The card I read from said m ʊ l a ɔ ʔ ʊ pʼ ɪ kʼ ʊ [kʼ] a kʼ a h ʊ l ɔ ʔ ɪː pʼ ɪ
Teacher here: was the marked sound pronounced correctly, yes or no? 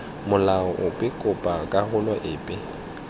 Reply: no